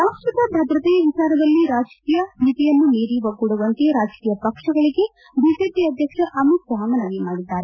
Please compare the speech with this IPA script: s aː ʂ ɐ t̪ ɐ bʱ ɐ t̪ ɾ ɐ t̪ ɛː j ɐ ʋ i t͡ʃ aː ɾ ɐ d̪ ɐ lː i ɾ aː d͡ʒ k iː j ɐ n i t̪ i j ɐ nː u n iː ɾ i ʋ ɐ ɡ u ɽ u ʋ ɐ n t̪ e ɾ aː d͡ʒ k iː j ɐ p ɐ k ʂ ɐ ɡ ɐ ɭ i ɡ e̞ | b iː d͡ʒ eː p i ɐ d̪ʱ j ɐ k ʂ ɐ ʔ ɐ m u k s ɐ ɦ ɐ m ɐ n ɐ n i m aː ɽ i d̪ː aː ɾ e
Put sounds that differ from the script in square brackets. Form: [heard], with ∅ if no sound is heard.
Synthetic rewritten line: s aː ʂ ɐ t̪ ɐ bʱ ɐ [d̪] ɾ ɐ t̪ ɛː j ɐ ʋ i t͡ʃ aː ɾ ɐ d̪ ɐ lː i ɾ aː d͡ʒ k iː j ɐ n i t̪ i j ɐ nː u n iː ɾ i ʋ ɐ ɡ u ɽ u ʋ ɐ n t̪ e ɾ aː d͡ʒ k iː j ɐ p ɐ k ʂ ɐ ɡ ɐ ɭ i ɡ e̞ | b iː d͡ʒ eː p i ɐ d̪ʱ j ɐ k ʂ ɐ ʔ ɐ m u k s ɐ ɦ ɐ m ɐ n ɐ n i m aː ɽ i d̪ː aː ɾ e

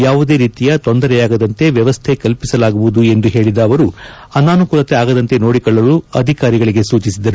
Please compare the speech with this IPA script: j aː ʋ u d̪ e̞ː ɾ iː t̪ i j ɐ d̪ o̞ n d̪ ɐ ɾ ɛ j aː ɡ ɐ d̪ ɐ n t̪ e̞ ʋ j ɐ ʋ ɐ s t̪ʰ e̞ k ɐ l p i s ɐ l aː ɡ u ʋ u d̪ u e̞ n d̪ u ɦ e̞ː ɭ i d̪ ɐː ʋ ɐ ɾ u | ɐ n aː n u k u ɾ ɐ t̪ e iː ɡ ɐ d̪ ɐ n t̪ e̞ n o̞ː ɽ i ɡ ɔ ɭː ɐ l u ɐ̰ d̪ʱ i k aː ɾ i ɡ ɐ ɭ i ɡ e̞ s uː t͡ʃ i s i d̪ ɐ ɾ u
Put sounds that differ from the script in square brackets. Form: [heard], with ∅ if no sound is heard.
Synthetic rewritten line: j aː ʋ u d̪ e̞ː ɾ iː t̪ i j ɐ [t̪] o̞ n d̪ ɐ ɾ ɛ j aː ɡ ɐ d̪ ɐ n t̪ e̞ ʋ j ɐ ʋ ɐ s t̪ʰ e̞ k ɐ l p i s ɐ l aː ɡ u ʋ u d̪ u e̞ n d̪ u ɦ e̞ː ɭ i d̪ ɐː ʋ ɐ ɾ u | ɐ n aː n u k u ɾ ɐ t̪ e [aː] ɡ ɐ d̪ ɐ n t̪ e̞ n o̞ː ɽ i [k] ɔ ɭː ɐ l u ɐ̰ d̪ʱ i k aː ɾ i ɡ ɐ ɭ i ɡ e̞ s uː t͡ʃ i s i d̪ ɐ ɾ u

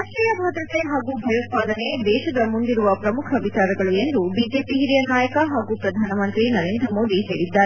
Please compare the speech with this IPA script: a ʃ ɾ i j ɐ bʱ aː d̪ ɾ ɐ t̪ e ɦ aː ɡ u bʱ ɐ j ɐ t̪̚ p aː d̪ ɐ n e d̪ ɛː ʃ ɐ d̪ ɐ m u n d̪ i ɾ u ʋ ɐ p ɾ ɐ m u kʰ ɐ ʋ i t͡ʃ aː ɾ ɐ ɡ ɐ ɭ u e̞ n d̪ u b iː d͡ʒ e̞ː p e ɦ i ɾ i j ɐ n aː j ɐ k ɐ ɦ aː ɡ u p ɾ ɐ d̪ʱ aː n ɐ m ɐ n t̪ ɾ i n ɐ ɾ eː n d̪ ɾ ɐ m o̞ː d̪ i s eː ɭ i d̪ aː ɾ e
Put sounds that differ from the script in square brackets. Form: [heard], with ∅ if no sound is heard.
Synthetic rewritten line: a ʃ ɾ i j ɐ bʱ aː d̪ ɾ ɐ t̪ e ɦ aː ɡ u bʱ ɐ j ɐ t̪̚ p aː d̪ ɐ n e d̪ ɛː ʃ ɐ d̪ ɐ m u n d̪ i ɾ u ʋ ɐ p ɾ ɐ m u kʰ ɐ ʋ i t͡ʃ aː ɾ ɐ ɡ ɐ ɭ u e̞ n d̪ u b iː d͡ʒ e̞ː p [i] ɦ i ɾ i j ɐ n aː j ɐ k ɐ ɦ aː ɡ u p ɾ ɐ d̪ʱ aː n ɐ m ɐ n t̪ ɾ i n ɐ ɾ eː n d̪ ɾ ɐ m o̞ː d̪ i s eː [ɽ] i [d̪ː] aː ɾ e

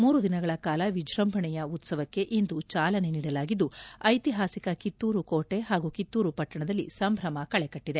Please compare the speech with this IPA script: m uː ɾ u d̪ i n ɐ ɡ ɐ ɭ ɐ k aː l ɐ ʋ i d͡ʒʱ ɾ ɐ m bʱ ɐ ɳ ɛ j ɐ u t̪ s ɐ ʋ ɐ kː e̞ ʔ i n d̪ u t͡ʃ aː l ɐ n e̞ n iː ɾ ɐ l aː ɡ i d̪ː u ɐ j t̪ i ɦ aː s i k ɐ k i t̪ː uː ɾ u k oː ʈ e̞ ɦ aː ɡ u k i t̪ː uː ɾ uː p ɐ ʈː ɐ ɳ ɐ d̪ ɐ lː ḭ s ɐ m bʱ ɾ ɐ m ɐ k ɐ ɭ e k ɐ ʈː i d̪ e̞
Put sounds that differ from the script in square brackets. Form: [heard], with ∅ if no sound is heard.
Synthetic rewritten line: m uː ɾ u d̪ i n ɐ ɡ ɐ ɭ ɐ k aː l ɐ ʋ i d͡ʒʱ ɾ ɐ m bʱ ɐ ɳ ɛ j ɐ u t̪ s ɐ ʋ ɐ kː e̞ ʔ i n d̪ u t͡ʃ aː l ɐ n e̞ n iː [ɽ] ɐ l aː ɡ i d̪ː u ɐ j t̪ i ɦ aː s i k ɐ k i t̪ː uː ɾ u k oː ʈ e̞ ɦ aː ɡ u k i t̪ː uː ɾ [u] p ɐ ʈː ɐ ɳ ɐ d̪ ɐ lː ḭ s ɐ m bʱ ɾ ɐ m ɐ k ɐ ɭ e k ɐ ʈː i d̪ e̞

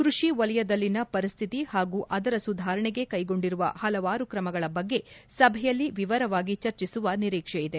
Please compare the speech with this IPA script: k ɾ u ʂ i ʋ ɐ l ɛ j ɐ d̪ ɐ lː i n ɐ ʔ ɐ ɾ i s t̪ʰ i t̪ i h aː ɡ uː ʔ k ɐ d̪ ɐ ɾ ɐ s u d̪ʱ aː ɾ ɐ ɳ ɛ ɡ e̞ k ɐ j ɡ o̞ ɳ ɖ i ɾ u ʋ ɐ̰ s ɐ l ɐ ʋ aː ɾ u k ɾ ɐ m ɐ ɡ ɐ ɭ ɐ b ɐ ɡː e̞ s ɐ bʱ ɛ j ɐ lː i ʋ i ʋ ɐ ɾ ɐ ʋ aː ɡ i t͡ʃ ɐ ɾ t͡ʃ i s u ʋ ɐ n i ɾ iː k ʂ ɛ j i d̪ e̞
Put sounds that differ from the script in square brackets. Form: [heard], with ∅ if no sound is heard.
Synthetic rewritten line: k ɾ u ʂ i ʋ ɐ l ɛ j ɐ d̪ ɐ lː i n ɐ [p] ɐ ɾ i s t̪ʰ i t̪ i h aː ɡ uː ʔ [ʔ] ɐ d̪ ɐ ɾ ɐ s u d̪ʱ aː ɾ ɐ ɳ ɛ ɡ e̞ k ɐ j ɡ o̞ ɳ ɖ i ɾ u ʋ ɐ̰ [h] ɐ l ɐ ʋ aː ɾ u k ɾ ɐ m ɐ ɡ ɐ ɭ ɐ b ɐ ɡː e̞ s ɐ bʱ ɛ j ɐ lː i ʋ i ʋ ɐ ɾ ɐ ʋ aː ɡ i t͡ʃ ɐ ɾ t͡ʃ i s u ʋ ɐ n i ɾ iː k ʂ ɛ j i d̪ e̞

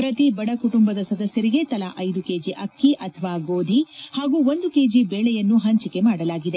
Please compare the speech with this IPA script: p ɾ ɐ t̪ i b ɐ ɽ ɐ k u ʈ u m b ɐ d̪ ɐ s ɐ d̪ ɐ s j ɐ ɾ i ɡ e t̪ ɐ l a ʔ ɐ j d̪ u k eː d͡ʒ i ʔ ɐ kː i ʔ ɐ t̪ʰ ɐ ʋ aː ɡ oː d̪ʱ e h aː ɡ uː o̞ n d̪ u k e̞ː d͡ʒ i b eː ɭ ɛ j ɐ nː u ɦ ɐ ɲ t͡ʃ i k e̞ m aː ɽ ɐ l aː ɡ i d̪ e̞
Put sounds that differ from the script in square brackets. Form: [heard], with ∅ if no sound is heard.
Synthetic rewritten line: p ɾ ɐ t̪ i b ɐ ɽ ɐ k u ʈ u m b ɐ d̪ ɐ s ɐ d̪ ɐ s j ɐ ɾ i ɡ e t̪ ɐ l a ʔ ɐ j d̪ u k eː d͡ʒ i ʔ ɐ kː i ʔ ɐ t̪ʰ ɐ ʋ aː ɡ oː d̪ʱ [i] h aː ɡ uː o̞ n d̪ u k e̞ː d͡ʒ i b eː ɭ ɛ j ɐ nː u ɦ ɐ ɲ t͡ʃ i k e̞ m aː ɽ ɐ l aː ɡ i d̪ e̞

